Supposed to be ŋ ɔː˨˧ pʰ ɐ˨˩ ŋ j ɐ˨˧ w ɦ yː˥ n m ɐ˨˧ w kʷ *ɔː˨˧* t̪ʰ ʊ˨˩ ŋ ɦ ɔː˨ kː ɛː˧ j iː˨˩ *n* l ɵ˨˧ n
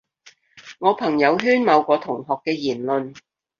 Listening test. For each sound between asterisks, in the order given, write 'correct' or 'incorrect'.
correct, correct

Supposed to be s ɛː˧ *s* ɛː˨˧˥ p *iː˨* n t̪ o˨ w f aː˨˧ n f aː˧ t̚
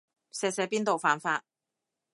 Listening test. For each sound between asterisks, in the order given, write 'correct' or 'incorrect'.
correct, incorrect

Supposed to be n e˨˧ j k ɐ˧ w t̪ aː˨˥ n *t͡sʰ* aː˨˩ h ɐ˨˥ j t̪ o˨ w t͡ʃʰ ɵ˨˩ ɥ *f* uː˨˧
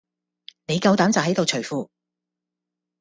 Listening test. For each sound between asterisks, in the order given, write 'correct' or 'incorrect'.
incorrect, correct

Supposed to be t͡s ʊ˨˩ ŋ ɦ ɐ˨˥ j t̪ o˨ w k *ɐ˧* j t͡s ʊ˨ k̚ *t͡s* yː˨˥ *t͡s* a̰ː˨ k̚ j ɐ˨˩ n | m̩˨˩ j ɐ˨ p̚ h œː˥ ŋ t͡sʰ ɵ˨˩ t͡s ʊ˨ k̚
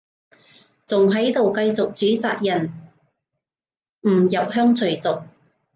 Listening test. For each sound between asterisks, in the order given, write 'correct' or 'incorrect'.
correct, correct, correct

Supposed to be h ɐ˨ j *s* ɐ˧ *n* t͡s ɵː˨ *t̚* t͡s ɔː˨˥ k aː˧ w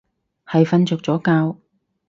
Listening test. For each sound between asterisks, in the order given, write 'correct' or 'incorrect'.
incorrect, correct, incorrect

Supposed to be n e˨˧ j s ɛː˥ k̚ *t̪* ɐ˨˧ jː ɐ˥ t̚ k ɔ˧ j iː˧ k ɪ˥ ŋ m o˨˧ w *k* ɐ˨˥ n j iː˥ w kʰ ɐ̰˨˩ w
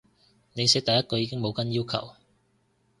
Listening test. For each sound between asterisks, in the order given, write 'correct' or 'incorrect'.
correct, correct

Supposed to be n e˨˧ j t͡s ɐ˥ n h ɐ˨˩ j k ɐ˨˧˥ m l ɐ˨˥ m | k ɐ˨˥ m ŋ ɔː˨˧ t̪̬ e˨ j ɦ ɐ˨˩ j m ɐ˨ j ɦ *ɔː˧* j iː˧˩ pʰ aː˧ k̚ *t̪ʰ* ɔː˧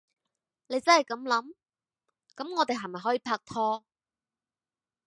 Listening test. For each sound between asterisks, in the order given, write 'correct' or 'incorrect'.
incorrect, correct

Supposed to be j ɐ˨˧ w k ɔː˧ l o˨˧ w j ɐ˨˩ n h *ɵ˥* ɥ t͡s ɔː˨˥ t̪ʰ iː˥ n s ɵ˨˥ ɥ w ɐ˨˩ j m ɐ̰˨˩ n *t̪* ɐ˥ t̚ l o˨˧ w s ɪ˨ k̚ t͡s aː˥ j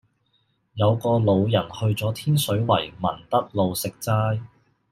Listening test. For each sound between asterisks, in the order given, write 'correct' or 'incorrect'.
incorrect, correct

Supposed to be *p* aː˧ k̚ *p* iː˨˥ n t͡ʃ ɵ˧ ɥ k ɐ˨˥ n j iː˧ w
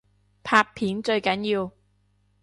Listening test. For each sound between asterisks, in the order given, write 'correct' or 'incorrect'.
incorrect, incorrect

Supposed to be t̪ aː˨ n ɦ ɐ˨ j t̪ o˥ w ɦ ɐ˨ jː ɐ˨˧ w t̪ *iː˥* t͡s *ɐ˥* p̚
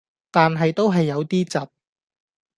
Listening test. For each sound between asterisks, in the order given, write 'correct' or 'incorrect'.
correct, incorrect

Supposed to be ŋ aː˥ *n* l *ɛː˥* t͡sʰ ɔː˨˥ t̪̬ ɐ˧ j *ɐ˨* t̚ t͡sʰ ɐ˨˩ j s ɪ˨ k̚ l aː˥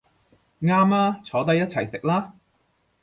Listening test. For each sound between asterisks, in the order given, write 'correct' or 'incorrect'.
incorrect, incorrect, incorrect

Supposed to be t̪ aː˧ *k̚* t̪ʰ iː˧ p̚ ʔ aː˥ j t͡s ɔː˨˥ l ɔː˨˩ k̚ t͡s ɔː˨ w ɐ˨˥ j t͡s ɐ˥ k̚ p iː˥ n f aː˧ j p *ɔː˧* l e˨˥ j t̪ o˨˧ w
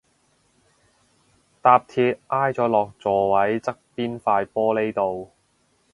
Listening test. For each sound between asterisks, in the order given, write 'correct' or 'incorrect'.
incorrect, incorrect

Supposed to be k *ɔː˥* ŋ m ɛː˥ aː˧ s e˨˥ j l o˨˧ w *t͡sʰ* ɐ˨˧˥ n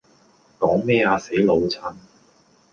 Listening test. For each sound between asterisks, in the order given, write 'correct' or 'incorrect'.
incorrect, correct

